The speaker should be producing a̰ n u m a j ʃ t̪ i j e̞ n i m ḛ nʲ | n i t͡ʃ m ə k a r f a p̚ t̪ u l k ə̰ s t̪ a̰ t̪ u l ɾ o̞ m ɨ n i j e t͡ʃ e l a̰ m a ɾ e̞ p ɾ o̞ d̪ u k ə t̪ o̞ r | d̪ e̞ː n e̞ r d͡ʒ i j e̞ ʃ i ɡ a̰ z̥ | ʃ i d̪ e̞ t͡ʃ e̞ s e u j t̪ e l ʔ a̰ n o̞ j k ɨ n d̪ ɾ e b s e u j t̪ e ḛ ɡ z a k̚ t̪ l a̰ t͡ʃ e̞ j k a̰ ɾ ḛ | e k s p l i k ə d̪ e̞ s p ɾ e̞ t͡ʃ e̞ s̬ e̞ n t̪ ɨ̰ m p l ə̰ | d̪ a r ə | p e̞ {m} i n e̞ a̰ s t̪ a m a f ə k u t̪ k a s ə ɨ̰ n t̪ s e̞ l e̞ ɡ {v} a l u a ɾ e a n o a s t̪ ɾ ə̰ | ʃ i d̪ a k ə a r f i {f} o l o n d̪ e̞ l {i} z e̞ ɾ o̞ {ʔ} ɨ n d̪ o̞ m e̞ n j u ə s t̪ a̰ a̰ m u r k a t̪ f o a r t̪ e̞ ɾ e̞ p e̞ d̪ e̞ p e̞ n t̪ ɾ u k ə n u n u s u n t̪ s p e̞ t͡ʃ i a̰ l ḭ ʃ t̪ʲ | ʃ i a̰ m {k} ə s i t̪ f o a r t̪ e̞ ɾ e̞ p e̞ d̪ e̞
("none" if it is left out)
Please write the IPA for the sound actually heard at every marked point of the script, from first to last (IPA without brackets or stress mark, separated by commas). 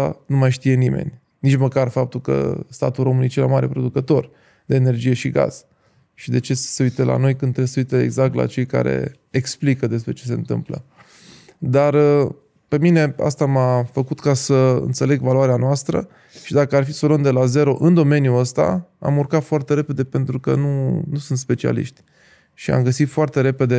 m, v, s, a, ʔ, ɡ